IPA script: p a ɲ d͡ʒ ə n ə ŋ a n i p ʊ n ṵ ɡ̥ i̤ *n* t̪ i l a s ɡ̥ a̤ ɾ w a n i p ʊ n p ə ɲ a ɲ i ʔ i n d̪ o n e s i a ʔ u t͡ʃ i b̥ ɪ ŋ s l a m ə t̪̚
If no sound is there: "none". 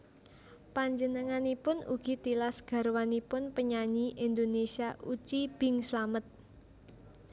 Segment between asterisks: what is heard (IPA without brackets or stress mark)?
none